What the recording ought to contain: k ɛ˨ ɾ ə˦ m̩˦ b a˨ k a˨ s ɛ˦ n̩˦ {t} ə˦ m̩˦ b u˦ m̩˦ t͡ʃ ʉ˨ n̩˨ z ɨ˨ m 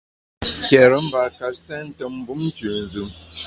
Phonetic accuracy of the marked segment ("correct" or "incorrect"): correct